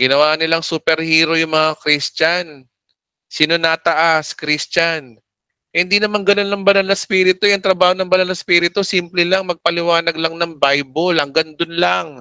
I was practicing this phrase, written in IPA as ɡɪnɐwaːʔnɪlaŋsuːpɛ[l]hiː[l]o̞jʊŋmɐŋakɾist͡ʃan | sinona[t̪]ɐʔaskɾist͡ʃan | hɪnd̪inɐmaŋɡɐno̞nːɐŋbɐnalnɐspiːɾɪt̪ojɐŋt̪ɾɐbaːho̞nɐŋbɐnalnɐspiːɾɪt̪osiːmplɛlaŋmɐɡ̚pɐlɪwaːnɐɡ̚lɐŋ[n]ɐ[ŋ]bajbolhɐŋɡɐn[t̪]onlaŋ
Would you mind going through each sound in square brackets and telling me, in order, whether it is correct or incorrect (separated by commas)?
incorrect, incorrect, correct, correct, correct, incorrect